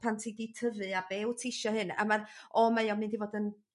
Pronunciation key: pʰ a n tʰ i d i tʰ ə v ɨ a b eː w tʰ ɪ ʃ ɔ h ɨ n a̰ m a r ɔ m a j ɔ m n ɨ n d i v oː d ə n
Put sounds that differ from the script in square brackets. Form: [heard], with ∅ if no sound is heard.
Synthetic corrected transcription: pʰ a n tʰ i d i tʰ ə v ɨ a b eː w tʰ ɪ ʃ ɔ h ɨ n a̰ m a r ɔ m a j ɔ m n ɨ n d i v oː d ə n